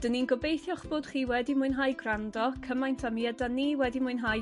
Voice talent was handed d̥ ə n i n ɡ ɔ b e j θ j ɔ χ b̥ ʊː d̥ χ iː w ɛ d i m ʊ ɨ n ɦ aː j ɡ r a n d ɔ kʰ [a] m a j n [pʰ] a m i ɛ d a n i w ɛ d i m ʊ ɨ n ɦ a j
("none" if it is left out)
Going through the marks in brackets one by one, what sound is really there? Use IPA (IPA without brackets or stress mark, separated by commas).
ə, tʰ